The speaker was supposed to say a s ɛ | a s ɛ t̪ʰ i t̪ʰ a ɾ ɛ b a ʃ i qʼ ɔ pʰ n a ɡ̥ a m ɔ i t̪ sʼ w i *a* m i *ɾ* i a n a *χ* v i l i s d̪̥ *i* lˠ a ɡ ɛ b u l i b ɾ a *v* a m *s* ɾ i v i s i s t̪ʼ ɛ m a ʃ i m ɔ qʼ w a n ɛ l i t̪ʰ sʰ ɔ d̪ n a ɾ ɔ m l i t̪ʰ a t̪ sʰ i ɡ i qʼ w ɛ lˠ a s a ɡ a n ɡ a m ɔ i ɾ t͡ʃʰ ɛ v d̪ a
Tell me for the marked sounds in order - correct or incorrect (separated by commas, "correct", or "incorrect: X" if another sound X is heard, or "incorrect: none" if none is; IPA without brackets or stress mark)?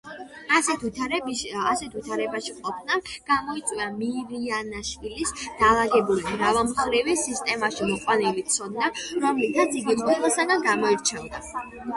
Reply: correct, correct, incorrect: ʃ, incorrect: a, correct, incorrect: χ